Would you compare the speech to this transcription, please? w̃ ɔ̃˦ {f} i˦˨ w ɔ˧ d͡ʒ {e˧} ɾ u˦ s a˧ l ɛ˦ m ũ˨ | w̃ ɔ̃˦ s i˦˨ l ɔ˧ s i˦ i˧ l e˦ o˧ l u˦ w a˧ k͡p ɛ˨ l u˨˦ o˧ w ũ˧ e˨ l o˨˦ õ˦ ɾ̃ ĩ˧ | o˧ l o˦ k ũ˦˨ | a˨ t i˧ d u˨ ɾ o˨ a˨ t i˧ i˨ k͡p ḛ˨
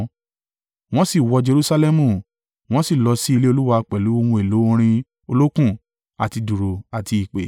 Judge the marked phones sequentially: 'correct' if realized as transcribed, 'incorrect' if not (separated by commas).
incorrect, correct